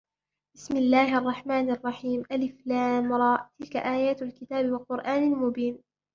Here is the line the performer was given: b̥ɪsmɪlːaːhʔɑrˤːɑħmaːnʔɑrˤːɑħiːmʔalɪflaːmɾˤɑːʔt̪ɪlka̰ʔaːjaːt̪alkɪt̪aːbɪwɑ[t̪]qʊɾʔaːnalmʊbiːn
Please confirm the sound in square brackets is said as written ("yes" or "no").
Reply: no